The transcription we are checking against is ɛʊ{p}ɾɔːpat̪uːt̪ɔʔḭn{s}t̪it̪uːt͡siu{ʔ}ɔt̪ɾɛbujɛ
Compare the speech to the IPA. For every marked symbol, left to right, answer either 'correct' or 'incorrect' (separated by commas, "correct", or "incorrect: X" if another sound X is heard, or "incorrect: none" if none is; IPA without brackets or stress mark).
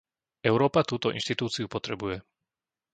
incorrect: none, incorrect: ʃ, incorrect: p